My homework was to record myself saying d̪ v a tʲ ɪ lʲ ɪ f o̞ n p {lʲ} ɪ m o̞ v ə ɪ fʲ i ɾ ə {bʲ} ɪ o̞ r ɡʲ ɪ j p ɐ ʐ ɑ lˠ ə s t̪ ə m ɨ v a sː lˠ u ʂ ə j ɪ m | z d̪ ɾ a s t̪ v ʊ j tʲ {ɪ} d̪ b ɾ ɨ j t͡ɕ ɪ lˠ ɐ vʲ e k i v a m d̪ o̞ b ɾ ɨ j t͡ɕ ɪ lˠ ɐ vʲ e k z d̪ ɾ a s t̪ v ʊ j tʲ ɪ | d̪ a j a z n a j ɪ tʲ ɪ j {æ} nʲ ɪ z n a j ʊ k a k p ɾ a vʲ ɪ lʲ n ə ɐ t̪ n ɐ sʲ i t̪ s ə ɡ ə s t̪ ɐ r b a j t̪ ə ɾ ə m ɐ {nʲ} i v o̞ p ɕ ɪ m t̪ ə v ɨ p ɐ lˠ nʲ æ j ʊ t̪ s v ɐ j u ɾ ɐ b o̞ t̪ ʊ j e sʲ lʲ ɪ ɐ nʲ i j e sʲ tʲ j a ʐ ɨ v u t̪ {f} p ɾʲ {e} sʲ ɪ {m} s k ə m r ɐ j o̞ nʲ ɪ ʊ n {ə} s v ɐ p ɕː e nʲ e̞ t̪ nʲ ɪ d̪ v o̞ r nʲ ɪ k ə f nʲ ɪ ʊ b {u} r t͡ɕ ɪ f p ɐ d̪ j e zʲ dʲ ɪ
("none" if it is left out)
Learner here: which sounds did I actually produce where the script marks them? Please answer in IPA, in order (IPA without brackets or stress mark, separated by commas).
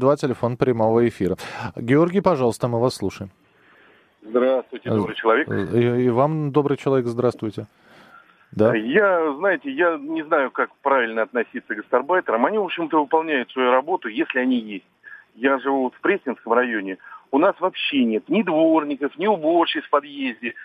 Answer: ɾʲ, ɡʲ, ɪ, a, nʲ, f, e, n, a, o